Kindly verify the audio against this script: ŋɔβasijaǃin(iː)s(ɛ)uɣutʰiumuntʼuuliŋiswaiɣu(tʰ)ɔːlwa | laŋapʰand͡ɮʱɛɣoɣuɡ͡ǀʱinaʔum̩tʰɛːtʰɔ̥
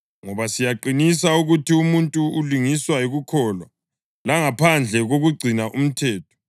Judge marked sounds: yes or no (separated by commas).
no, no, no